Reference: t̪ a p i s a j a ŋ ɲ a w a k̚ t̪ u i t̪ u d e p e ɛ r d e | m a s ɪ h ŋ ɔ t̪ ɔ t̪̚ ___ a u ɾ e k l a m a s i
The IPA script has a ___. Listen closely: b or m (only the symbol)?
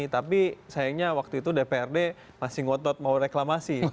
m